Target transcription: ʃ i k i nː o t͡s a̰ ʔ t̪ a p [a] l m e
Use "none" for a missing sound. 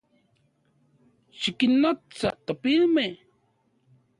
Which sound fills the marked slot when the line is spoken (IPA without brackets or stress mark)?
i